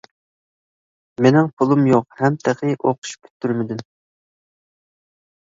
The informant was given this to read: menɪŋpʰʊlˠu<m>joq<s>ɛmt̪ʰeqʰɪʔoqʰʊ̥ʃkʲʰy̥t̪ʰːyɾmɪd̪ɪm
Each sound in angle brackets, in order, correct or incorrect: correct, incorrect: h

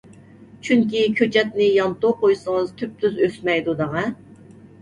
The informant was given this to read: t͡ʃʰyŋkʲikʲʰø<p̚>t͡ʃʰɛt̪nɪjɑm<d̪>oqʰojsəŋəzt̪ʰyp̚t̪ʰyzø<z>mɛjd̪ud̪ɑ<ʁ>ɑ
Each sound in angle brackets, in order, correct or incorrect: incorrect: none, incorrect: t̪, incorrect: s, correct

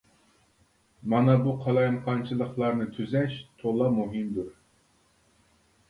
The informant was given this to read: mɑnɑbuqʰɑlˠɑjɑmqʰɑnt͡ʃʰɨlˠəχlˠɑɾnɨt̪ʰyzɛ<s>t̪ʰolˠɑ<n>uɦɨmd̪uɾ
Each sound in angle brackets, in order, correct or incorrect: incorrect: ʃ, incorrect: m

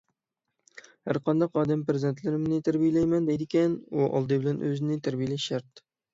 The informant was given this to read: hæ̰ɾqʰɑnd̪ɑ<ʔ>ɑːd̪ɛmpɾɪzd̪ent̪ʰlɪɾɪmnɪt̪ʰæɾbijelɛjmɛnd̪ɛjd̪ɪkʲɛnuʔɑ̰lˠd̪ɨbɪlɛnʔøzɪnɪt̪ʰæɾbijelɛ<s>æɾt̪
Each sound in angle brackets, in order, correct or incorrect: incorrect: q, incorrect: ʃ

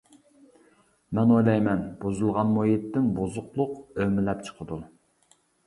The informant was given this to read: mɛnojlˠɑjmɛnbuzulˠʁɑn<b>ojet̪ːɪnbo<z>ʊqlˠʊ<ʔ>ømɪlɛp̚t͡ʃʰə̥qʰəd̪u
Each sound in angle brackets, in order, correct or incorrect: incorrect: m, correct, incorrect: q

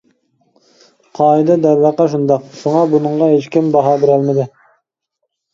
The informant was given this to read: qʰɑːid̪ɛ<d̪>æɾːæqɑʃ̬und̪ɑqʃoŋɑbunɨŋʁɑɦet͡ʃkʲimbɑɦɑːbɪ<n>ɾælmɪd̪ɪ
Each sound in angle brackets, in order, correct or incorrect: correct, incorrect: none

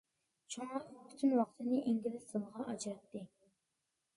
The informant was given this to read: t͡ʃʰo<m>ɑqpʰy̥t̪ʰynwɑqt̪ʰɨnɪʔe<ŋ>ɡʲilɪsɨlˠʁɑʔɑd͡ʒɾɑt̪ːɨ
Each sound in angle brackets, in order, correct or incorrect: incorrect: ŋ, correct

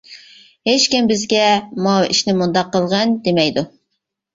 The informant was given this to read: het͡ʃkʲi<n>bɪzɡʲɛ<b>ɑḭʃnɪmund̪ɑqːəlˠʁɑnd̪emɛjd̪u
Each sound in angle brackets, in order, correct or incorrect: incorrect: m, incorrect: m

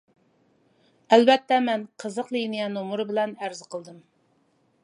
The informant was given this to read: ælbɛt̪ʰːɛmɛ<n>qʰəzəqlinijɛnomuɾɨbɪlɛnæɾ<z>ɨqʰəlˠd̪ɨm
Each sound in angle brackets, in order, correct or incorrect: correct, correct

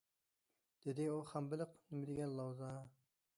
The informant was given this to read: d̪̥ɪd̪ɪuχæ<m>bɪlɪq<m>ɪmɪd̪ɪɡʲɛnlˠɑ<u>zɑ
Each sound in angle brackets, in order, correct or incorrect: correct, incorrect: n, incorrect: w

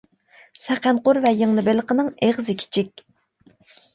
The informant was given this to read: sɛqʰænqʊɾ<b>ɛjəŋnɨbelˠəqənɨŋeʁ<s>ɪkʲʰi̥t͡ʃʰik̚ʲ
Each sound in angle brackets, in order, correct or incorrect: incorrect: v, incorrect: z

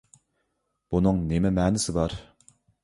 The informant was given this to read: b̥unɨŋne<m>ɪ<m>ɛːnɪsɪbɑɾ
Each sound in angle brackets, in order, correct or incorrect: correct, correct

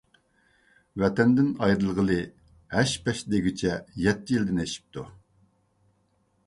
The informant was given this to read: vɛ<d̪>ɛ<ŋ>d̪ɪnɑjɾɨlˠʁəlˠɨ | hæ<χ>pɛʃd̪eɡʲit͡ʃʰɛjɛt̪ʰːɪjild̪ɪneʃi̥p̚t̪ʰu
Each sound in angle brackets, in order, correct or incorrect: incorrect: t̪, incorrect: n, incorrect: ʃ

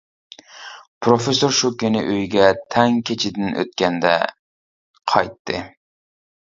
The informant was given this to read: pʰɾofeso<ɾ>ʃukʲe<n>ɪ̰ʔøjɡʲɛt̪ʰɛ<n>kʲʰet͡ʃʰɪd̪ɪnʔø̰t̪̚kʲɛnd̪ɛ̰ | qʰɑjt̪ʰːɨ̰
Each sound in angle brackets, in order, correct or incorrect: correct, correct, incorrect: ŋ

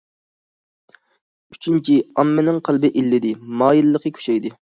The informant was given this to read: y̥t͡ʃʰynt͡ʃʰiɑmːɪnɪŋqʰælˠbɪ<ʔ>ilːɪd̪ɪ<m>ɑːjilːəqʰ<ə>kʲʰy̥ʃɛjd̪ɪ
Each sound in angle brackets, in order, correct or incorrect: correct, correct, correct

